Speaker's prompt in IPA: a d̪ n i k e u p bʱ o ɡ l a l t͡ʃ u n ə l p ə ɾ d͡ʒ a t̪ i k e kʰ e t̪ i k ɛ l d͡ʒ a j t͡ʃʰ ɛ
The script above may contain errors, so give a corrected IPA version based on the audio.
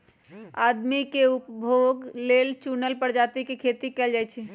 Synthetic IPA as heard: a d̪ m i k e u p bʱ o ɡ l e l t͡ʃ u n ə l p ə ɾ d͡ʒ a t̪ i k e kʰ e t̪ i k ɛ l d͡ʒ a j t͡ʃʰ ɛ